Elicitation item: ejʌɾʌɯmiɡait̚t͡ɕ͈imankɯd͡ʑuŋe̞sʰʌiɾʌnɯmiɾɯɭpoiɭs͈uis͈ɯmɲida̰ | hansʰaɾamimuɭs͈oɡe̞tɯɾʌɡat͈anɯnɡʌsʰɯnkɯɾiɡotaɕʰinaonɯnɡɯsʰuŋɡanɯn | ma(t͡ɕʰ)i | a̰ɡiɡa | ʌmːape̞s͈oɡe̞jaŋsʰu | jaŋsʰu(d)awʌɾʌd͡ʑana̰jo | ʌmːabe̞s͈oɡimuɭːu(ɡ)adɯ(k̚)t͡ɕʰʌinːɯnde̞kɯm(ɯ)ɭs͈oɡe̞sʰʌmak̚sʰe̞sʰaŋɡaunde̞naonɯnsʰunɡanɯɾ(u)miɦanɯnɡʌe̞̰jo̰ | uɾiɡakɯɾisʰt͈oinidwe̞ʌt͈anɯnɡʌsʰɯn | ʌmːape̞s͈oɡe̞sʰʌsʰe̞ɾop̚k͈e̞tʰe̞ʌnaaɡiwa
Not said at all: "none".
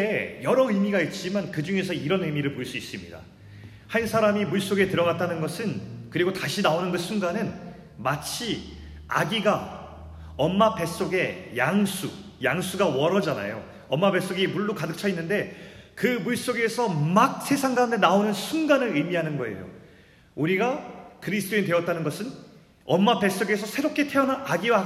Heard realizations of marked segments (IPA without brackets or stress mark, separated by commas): t͡ɕʰ, ɡ, k, k̚, u, ɯ